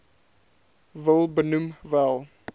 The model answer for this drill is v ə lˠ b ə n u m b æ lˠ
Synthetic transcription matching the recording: v ə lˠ b ə n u m v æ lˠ